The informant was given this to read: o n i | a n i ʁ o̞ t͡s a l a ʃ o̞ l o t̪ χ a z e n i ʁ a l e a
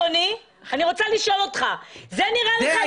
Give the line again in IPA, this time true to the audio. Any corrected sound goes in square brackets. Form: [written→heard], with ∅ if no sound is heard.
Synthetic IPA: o n i | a n i ʁ o̞ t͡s a l [a→i] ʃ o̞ l o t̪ χ a z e n i ʁ a l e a